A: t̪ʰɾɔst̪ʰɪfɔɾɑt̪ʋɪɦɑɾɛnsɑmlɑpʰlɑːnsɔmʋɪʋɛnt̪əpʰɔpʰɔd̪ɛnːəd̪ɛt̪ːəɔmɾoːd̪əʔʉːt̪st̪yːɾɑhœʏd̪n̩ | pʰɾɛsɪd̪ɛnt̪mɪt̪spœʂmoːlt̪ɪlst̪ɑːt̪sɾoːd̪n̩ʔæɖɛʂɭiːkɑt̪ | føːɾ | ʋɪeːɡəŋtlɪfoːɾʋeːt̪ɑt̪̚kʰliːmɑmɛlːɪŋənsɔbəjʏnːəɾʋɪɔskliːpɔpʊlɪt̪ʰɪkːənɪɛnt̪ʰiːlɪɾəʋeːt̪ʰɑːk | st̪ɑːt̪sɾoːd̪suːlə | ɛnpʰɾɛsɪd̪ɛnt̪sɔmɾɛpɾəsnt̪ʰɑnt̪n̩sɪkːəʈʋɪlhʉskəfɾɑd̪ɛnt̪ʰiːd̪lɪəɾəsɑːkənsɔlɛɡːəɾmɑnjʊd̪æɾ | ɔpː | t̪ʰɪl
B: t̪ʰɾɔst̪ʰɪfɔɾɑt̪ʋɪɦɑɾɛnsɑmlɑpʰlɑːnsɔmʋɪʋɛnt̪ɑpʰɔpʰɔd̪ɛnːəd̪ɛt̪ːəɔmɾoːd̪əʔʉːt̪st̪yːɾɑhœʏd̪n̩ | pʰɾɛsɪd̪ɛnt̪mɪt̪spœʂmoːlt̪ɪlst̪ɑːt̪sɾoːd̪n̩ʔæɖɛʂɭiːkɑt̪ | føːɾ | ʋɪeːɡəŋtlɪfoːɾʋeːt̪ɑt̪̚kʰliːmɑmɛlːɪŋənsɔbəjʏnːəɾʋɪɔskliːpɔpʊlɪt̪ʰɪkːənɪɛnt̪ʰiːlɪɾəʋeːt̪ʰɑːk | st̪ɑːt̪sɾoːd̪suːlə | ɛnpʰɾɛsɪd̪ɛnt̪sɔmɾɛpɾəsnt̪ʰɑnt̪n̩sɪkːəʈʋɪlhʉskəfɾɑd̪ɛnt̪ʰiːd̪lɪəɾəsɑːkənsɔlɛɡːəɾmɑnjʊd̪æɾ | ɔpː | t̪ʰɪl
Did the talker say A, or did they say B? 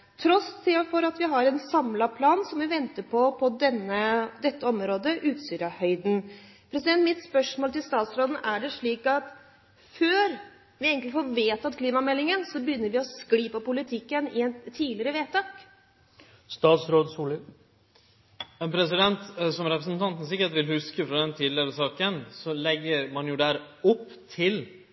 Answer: A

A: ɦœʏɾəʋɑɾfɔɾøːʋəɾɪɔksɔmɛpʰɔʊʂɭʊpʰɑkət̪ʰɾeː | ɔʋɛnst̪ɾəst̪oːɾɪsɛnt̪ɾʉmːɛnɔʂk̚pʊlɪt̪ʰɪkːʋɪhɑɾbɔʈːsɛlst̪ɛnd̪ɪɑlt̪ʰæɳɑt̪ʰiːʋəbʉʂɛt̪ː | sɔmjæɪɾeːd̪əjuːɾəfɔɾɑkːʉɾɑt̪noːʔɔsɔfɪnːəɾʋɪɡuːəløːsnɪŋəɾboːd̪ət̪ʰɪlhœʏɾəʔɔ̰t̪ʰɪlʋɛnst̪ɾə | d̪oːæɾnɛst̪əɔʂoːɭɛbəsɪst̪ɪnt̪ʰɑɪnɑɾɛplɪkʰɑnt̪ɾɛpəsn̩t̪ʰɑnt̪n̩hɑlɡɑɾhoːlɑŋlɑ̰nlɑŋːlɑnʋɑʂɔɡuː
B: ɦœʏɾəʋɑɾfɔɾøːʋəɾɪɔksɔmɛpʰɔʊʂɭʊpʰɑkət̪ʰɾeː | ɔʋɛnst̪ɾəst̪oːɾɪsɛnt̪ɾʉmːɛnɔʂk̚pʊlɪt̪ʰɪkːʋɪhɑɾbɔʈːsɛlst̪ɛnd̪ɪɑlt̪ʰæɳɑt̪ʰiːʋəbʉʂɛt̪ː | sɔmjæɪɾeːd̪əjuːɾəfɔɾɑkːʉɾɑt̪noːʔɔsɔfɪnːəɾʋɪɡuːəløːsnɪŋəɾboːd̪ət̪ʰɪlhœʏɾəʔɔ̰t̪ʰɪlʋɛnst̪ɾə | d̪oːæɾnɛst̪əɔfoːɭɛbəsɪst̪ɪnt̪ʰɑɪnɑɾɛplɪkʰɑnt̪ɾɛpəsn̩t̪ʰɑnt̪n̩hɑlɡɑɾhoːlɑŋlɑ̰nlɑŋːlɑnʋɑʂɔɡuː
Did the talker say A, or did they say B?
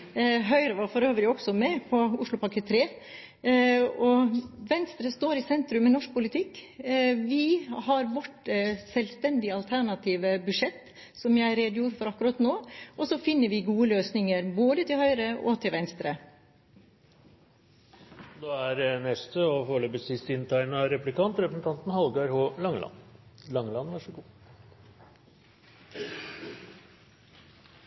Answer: B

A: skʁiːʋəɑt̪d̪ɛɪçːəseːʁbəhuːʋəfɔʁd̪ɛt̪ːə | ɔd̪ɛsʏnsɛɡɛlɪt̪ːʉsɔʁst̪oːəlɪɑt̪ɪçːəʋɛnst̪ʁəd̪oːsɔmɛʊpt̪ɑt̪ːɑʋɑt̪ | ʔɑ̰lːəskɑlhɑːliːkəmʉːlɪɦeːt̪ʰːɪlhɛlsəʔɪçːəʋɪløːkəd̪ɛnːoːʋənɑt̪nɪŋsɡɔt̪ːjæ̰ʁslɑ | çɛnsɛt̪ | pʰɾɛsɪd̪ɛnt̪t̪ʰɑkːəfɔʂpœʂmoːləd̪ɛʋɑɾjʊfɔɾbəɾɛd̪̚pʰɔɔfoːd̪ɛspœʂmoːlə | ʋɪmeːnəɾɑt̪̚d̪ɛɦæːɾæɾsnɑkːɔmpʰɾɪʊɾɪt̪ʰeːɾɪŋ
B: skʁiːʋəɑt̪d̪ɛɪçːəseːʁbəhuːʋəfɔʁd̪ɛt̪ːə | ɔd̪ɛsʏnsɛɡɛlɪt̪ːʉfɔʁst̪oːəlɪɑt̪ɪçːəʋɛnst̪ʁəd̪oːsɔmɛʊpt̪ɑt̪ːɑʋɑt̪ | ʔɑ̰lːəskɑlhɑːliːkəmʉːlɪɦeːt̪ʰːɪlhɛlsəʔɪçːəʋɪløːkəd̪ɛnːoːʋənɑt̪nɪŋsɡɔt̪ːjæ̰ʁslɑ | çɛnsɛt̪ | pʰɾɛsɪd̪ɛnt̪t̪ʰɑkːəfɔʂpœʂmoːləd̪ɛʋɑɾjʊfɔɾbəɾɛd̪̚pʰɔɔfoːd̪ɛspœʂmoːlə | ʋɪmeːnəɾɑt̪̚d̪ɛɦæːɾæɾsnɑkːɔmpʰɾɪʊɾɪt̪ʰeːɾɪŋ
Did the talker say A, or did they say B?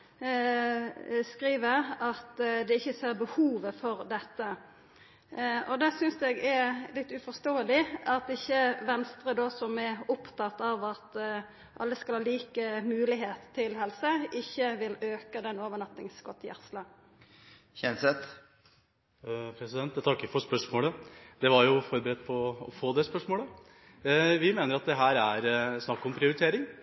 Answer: B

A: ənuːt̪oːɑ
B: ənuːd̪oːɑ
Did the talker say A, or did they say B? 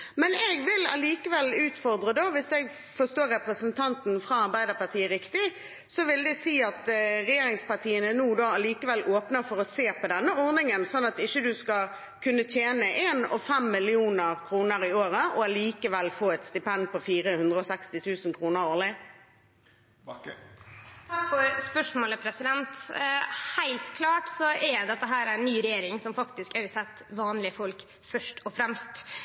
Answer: B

